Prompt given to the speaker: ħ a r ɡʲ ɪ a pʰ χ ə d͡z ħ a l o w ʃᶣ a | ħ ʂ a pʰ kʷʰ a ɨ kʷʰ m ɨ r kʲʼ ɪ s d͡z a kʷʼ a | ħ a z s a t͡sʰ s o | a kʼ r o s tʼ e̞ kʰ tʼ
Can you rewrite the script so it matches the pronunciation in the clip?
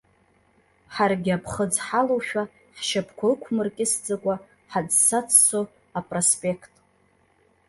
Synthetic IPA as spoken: ħ a r ɡʲ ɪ a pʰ χ ə d͡z ħ a l o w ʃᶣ a | ħ ʃ a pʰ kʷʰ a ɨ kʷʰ m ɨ r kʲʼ ɪ s d͡z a kʷʼ a | ħ a d͡z s a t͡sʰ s o | a pʼ r o s pʼ e̞ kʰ tʼ